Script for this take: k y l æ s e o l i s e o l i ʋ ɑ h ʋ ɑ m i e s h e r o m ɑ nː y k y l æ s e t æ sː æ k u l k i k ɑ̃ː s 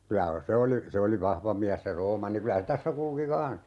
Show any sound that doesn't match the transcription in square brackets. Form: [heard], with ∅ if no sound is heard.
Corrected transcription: k y l æ s e o l i s e o l i ʋ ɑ h ʋ ɑ m i [æ] s [s] e r [oː] m ɑ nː [i] k y l æ s e t æ sː æ k u l k i k ɑ̃ː s